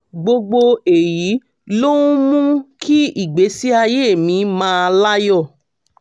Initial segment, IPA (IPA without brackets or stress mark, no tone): ɡ͡b